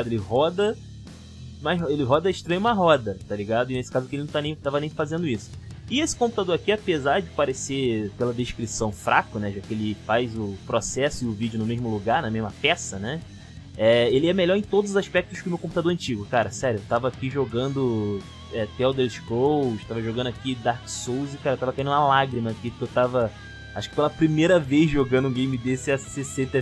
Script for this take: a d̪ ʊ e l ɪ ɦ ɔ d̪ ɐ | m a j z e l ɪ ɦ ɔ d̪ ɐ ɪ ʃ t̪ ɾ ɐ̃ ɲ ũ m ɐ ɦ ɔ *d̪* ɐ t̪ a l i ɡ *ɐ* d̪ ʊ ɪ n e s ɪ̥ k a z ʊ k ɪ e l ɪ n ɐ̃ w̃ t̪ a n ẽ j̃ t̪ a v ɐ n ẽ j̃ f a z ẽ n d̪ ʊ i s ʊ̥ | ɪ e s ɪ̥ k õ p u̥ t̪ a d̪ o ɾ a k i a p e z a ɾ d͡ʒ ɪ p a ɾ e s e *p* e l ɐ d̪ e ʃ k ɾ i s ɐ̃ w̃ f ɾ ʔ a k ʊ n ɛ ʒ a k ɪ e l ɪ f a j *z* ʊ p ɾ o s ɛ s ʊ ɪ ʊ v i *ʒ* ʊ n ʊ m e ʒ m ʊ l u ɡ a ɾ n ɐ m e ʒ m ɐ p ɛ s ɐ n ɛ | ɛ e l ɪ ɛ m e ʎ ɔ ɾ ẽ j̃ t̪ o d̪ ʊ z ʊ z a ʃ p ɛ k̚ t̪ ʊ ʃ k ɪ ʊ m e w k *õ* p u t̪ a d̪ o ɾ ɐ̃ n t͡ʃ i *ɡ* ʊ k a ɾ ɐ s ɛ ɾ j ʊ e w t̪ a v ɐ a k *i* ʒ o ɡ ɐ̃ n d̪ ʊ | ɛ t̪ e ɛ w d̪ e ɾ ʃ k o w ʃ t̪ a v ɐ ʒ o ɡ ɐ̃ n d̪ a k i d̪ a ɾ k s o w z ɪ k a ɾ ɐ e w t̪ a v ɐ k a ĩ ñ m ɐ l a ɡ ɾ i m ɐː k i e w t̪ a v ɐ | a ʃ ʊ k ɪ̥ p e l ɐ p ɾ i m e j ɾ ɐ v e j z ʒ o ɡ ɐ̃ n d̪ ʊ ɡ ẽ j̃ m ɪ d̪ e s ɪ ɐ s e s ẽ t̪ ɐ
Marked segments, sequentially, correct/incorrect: correct, incorrect, correct, correct, incorrect, correct, correct, correct

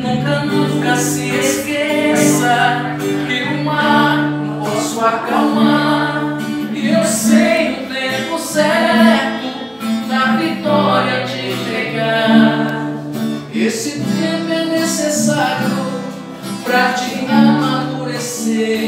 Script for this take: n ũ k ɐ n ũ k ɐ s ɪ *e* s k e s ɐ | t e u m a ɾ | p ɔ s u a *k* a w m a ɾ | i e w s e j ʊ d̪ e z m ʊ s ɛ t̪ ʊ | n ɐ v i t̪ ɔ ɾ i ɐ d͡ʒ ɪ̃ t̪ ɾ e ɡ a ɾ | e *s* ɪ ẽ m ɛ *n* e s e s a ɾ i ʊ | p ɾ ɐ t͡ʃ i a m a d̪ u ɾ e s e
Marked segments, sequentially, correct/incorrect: correct, correct, correct, correct

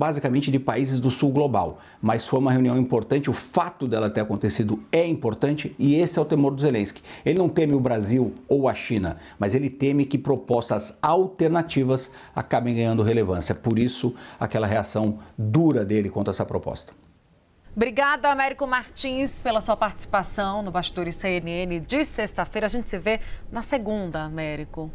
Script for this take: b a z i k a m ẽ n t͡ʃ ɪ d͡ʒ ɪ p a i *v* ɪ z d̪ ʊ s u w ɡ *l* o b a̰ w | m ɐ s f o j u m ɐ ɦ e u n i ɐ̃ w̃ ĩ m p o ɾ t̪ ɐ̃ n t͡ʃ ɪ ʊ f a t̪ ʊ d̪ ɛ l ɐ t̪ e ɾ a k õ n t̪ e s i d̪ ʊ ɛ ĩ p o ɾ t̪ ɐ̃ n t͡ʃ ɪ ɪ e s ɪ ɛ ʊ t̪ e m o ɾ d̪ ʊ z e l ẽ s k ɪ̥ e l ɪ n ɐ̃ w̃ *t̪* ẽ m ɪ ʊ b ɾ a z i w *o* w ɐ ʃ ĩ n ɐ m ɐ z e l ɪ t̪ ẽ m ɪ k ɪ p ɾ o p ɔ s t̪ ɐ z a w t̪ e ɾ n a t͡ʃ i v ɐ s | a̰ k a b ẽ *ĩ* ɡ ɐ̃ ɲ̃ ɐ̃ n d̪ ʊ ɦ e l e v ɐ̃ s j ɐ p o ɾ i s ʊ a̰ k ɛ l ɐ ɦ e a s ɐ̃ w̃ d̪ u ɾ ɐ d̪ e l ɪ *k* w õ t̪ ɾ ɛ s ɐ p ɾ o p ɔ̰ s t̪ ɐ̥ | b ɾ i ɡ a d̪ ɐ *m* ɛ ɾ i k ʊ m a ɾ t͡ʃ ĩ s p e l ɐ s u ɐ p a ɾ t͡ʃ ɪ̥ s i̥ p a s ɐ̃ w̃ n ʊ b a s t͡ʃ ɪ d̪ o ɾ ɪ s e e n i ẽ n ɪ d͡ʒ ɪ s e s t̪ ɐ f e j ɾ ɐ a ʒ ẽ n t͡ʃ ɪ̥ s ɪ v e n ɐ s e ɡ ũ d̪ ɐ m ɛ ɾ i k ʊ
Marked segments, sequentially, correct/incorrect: incorrect, correct, correct, correct, incorrect, correct, correct

